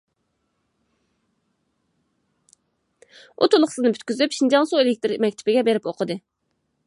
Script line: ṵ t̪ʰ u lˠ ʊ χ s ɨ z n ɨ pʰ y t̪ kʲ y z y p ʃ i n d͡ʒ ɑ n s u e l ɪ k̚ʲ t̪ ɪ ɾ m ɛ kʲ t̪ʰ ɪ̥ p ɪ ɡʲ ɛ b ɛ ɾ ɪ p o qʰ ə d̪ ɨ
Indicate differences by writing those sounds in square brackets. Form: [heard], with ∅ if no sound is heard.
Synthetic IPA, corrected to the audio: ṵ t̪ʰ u lˠ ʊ χ s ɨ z n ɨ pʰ y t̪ kʲ y z y p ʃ i n d͡ʒ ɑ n s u e l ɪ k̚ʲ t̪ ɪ ɾ m ɛ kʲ t̪ʰ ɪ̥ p ɪ ɡʲ ɛ b [e] ɾ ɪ p o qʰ ə d̪ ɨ

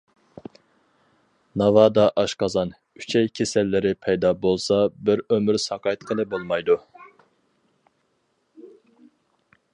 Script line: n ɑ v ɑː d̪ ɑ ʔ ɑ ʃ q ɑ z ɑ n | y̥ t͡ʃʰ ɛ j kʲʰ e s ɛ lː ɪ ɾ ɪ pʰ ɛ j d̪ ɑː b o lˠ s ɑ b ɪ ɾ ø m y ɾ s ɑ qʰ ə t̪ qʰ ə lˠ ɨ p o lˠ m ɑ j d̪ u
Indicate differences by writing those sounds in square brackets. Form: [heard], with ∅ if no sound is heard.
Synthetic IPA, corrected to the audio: n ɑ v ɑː d̪ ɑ ʔ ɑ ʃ q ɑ z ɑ n | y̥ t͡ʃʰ ɛ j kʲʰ e s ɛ lː ɪ ɾ ɪ pʰ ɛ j d̪ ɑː b o lˠ s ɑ b ɪ ɾ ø m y ɾ s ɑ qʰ [ɑ] t̪ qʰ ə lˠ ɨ [b] o lˠ m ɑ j d̪ u

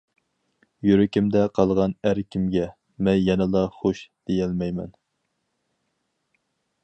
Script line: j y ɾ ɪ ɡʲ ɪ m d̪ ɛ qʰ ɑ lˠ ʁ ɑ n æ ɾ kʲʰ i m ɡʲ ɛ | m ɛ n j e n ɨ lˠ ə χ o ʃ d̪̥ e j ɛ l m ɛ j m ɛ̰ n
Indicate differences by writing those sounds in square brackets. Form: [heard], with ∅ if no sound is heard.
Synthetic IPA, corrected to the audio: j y ɾ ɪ [kʲ] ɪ m d̪ ɛ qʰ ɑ lˠ ʁ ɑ n æ ɾ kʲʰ i m ɡʲ ɛ | m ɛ n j [ɛ] n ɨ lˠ [ɑ] χ o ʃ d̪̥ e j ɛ l m ɛ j m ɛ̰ n

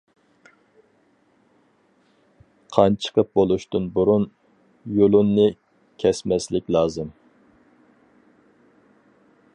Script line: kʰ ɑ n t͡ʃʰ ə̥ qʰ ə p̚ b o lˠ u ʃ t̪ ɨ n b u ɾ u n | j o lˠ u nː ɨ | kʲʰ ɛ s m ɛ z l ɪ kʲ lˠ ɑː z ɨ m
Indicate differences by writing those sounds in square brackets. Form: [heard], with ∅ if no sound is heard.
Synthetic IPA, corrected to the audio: [qʰ] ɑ n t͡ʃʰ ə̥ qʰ ə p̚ b o lˠ u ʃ t̪ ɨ n b u ɾ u n | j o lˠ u nː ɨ | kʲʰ ɛ s m ɛ [s] l ɪ kʲ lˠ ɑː z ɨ m

